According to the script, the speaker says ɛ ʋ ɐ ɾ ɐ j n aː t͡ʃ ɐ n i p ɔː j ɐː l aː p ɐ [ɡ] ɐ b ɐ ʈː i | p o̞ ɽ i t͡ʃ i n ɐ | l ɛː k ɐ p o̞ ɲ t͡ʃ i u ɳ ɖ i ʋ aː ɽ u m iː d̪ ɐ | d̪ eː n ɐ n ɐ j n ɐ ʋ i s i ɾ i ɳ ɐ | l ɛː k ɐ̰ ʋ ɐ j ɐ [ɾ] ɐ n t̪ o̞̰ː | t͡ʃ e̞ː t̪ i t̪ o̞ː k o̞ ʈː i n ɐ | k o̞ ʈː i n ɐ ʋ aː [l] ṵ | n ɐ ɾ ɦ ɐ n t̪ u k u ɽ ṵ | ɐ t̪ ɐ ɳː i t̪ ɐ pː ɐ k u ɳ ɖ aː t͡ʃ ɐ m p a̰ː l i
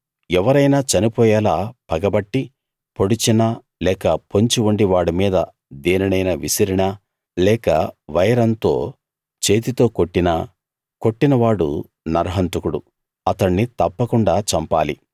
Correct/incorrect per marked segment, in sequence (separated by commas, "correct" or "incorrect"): correct, correct, incorrect